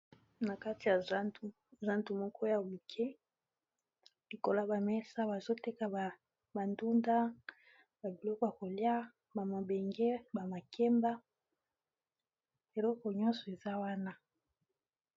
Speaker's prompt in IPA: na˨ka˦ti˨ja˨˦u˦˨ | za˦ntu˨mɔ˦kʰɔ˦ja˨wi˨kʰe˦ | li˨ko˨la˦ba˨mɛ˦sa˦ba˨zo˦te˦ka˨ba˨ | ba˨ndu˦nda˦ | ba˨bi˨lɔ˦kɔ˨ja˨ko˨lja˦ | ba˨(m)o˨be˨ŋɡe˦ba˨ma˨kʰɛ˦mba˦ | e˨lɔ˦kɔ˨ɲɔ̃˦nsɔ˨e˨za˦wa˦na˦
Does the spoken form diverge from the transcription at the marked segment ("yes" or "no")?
no